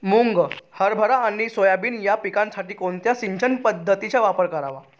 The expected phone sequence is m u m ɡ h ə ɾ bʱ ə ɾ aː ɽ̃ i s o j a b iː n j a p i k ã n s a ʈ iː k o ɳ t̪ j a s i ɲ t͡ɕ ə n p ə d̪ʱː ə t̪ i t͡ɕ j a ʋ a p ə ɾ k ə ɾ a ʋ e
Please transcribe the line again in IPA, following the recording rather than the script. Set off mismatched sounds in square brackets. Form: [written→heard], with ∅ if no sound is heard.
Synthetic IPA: m u [m→ŋ] ɡ h ə ɾ bʱ ə ɾ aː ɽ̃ i s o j a b iː n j a p i k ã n s a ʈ iː k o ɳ t̪ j a s i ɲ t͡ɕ ə n p ə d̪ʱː ə t̪ i t͡ɕ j a ʋ a p ə ɾ k ə ɾ a ʋ [e→a]